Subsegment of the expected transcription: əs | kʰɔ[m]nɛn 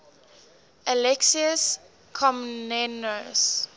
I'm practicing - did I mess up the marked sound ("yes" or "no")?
no